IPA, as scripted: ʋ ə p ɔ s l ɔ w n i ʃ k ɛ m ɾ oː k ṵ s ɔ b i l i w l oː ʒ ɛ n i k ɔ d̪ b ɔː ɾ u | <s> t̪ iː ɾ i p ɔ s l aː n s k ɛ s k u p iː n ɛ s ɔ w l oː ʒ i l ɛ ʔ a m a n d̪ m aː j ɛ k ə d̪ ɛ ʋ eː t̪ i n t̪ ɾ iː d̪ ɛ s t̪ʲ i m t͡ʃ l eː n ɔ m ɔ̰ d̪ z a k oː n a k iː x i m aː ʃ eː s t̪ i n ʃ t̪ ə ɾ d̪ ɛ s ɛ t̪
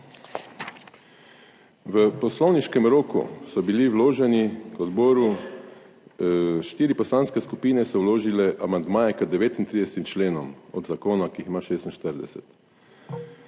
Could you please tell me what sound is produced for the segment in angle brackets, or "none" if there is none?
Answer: ʃ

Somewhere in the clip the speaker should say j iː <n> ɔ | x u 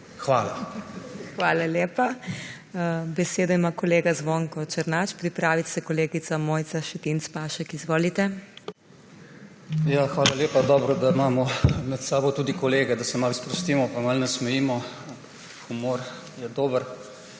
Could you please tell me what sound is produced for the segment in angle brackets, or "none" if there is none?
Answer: m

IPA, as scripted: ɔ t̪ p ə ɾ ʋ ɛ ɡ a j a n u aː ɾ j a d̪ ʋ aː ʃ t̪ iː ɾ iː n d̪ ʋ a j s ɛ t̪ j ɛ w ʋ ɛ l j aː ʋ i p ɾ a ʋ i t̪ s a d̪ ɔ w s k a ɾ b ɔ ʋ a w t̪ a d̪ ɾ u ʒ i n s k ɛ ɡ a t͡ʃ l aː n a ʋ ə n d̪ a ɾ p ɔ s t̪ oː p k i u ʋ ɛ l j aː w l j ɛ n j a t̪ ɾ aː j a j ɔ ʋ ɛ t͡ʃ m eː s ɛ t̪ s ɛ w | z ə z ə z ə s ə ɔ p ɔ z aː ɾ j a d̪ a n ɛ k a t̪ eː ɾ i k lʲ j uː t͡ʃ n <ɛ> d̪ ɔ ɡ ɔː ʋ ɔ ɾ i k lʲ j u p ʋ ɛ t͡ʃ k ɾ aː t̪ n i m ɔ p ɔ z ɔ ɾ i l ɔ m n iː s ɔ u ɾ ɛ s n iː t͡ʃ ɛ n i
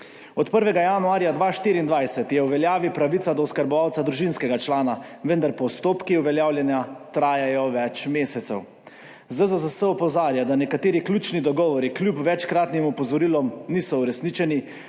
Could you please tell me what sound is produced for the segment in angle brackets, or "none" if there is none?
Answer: i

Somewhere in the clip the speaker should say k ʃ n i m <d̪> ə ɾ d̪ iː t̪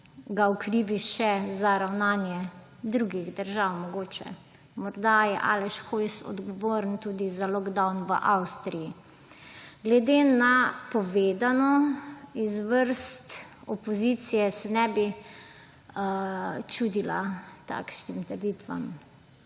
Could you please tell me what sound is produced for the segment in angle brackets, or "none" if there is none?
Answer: t̪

